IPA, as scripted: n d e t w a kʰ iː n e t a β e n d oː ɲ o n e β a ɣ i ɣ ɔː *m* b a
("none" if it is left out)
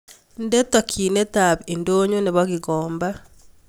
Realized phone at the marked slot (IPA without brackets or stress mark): m